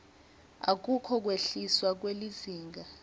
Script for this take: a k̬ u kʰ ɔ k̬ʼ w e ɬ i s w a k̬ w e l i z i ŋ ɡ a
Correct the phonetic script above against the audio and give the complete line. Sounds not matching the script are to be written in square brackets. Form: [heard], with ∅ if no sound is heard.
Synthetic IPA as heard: a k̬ u kʰ ɔ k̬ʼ w e ɬ i s w a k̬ w e l i z [iː] ŋ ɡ a